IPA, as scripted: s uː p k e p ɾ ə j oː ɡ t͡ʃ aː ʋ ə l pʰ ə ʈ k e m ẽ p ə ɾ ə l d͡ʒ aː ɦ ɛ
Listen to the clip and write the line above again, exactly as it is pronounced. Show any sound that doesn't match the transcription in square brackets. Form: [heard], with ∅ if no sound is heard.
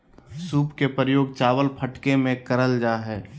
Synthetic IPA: s uː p k e p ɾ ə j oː ɡ t͡ʃ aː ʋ ə l pʰ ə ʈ k e m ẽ [k] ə ɾ ə l d͡ʒ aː ɦ [ɛː]